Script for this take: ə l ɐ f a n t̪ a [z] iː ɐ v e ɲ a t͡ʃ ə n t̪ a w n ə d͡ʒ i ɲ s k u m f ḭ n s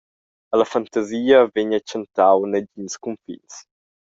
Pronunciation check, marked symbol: correct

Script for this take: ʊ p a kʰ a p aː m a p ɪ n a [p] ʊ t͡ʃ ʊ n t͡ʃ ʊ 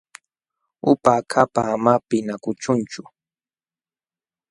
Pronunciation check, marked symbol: incorrect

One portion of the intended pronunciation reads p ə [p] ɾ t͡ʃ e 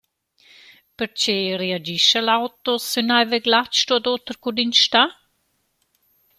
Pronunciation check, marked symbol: incorrect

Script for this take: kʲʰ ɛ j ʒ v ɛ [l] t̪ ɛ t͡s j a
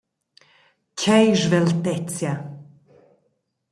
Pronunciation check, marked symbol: correct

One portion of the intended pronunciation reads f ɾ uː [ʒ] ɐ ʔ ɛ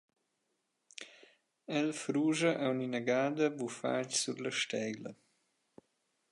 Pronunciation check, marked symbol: correct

